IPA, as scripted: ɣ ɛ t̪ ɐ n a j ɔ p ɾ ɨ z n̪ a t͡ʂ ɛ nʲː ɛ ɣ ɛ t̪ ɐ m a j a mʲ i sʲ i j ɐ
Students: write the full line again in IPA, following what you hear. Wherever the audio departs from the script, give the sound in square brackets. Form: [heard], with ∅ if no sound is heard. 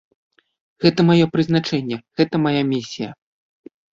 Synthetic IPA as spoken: ɣ ɛ t̪ ɐ [m] a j ɔ p ɾ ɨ z n̪ a t͡ʂ ɛ nʲː ɛ ɣ ɛ t̪ ɐ m a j a mʲ i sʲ i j ɐ